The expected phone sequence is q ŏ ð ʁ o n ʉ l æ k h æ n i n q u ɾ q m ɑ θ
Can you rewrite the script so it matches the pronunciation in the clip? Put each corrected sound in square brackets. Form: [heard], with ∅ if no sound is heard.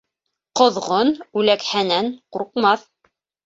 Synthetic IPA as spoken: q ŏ ð ʁ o n ʉ l æ k h æ n [æ] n q u ɾ q m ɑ θ